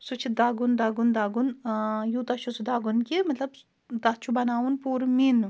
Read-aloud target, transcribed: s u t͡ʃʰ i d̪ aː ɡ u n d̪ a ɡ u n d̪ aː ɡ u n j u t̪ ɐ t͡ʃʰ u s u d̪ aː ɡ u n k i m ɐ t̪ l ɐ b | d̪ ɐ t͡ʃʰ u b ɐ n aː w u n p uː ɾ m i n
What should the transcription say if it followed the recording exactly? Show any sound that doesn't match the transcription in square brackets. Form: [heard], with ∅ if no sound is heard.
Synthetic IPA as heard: s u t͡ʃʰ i d̪ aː ɡ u n d̪ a ɡ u n d̪ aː ɡ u n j u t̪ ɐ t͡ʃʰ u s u d̪ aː ɡ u n k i m ɐ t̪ l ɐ b | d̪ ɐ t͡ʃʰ u b ɐ n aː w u n p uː ɾ m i n

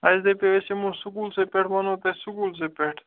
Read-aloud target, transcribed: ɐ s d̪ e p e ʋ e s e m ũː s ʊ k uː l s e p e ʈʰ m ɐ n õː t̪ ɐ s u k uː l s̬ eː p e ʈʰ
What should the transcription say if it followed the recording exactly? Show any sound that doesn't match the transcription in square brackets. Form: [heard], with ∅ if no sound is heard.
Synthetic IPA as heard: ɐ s d̪ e p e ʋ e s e m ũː s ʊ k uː l s e p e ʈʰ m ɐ n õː t̪ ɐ s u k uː l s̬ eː p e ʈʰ

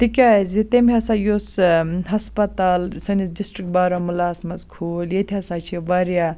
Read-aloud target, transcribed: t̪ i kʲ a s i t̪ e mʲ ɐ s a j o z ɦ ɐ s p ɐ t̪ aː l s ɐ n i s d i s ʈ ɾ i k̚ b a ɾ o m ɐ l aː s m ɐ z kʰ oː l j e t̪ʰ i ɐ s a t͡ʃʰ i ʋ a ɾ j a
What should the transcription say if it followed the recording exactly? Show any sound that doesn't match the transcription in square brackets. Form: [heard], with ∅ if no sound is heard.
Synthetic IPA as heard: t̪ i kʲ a [z] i t̪ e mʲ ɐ s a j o [s] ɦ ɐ s p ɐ t̪ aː l s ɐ n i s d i s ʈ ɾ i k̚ b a ɾ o m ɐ l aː s m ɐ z kʰ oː l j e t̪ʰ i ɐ s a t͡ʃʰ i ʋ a ɾ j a

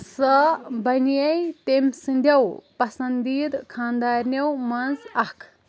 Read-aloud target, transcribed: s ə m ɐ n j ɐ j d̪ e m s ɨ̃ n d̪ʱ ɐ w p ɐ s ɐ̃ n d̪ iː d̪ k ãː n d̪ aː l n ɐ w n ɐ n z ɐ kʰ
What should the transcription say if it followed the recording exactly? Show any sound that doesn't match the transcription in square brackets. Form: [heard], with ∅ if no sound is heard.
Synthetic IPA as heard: s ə [b] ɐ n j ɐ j [t̪] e m s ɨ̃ n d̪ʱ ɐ w p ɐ s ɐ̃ n d̪ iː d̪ [kʰ] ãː n d̪ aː [ɾ] n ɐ w [m] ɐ n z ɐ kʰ

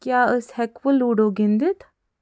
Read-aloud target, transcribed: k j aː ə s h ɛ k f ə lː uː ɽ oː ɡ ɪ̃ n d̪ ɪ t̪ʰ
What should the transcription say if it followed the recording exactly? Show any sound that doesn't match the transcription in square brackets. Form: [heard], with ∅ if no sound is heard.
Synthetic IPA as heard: k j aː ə s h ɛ k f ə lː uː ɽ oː ɡ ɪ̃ n d̪ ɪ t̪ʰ

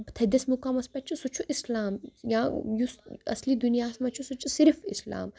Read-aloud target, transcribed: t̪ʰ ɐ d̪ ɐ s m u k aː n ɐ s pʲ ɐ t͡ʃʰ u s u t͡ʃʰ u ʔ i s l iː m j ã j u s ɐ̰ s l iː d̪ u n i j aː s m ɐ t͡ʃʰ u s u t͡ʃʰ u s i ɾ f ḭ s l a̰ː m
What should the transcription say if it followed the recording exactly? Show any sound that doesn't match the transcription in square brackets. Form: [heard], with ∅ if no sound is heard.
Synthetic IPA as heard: t̪ʰ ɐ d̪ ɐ s m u k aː [m] ɐ s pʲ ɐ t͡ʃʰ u s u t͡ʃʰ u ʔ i s l [aː] m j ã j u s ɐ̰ s l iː d̪ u n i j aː s m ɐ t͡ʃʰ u s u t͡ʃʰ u s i ɾ f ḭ s l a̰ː m

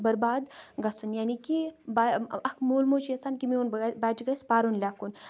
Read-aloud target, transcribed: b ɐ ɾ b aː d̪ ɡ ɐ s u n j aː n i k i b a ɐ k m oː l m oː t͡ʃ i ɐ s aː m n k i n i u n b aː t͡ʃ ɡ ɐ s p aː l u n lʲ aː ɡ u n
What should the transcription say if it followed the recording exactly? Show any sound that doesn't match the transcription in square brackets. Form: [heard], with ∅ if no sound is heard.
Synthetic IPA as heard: b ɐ ɾ b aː d̪ ɡ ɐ s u n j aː n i k i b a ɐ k m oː l m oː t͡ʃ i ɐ s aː [∅] n k i [m] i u n b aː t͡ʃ ɡ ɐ s p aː [ɾ] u n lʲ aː [k] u n

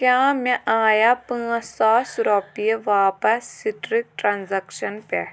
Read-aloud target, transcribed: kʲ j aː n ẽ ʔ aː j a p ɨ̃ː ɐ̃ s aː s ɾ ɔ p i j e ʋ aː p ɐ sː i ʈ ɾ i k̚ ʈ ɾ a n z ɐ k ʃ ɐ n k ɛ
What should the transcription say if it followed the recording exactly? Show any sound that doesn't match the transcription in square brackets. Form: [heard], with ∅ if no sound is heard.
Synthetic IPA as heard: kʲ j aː [m] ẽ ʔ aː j a p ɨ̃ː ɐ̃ s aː s ɾ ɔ p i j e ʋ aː p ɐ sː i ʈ ɾ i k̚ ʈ ɾ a n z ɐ k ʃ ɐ n [p] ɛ

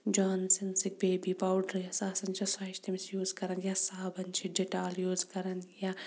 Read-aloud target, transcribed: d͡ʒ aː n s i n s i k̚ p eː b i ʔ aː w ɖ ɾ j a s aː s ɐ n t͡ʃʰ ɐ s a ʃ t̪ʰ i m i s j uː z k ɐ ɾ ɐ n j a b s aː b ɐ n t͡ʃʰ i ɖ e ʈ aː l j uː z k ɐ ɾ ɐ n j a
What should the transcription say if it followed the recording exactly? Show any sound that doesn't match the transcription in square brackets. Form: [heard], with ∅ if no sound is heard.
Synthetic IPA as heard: d͡ʒ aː n s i n s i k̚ [b] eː b i [p] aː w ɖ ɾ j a s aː s ɐ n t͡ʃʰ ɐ s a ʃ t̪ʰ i m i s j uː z k ɐ ɾ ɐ n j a [∅] s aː b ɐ n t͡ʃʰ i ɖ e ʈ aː l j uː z k ɐ ɾ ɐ n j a

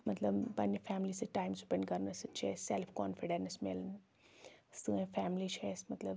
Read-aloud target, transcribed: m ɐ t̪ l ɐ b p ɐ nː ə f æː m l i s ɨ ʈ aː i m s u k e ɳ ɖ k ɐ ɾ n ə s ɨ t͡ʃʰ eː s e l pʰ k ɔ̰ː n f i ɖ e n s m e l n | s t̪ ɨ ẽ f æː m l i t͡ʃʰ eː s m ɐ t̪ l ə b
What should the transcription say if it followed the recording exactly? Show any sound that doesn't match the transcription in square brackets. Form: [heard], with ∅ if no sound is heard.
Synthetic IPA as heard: m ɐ t̪ l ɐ b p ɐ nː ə f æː m l i s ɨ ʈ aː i m s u [p] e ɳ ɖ k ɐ ɾ n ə s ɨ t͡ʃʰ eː s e l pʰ k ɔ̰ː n f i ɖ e n s m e l n | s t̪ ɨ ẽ f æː m l i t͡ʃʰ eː s m ɐ t̪ l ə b

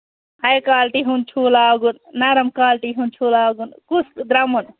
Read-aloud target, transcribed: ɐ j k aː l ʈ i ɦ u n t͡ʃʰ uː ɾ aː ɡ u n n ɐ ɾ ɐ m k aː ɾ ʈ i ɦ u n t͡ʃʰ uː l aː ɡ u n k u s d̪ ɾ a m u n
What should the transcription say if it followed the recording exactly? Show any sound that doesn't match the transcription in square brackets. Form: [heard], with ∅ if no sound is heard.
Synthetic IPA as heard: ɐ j k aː l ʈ i ɦ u n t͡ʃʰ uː [l] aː ɡ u n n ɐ ɾ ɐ m k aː [l] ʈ i ɦ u n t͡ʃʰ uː l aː ɡ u n k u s d̪ ɾ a m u n

